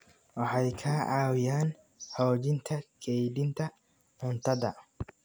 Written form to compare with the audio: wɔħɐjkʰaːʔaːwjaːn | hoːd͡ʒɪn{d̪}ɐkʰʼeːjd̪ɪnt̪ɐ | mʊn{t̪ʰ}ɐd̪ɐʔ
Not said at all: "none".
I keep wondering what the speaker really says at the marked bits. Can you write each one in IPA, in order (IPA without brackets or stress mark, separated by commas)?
t̪, t̪